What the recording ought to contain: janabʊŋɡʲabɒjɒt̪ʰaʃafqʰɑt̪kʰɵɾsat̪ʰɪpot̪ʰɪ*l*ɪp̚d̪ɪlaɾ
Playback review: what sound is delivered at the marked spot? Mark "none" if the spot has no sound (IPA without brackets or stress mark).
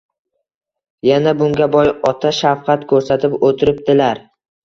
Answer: ɾ